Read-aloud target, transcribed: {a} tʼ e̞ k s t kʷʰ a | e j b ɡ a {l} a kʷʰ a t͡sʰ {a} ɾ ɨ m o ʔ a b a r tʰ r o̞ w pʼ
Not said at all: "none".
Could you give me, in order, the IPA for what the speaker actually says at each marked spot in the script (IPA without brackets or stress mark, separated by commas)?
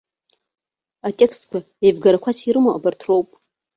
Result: a, ɾ, i